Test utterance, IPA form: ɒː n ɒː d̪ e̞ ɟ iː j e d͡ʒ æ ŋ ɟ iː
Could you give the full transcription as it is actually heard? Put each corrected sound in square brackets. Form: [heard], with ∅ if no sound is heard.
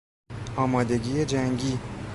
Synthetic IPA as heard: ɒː [m] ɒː d̪ e̞ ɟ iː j e d͡ʒ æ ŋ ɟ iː